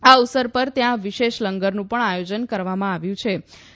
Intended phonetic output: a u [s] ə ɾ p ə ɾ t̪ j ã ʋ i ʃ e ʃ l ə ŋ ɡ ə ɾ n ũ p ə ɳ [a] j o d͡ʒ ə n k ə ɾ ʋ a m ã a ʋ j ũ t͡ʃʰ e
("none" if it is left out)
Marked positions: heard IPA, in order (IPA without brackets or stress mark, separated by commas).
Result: s, a